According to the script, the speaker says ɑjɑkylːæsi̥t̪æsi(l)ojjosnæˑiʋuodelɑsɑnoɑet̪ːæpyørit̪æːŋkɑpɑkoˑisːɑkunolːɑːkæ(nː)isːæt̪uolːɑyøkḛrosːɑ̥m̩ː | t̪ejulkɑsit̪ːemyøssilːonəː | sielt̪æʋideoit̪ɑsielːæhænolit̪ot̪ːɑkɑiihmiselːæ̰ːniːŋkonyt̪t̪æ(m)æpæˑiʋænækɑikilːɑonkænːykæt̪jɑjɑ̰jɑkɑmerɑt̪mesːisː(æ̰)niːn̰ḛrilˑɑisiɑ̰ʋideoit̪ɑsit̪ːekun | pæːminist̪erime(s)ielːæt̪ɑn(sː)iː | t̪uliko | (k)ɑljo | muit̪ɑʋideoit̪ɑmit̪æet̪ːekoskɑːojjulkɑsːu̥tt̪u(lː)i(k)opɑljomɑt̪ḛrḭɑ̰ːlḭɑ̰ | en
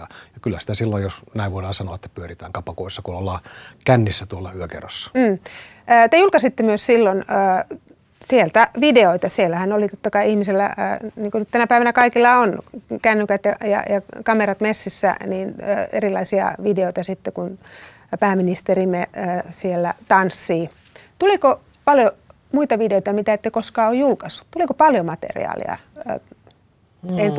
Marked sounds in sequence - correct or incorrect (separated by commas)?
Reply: incorrect, correct, incorrect, correct, correct, correct, incorrect, incorrect, correct